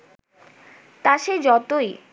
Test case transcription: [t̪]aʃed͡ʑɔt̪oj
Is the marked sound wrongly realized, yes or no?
no